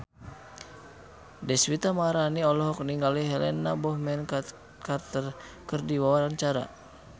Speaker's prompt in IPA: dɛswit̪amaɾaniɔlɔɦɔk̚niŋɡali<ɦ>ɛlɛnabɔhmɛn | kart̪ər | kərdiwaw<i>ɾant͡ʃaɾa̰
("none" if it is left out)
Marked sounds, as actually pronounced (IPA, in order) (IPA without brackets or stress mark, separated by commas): ɦ, a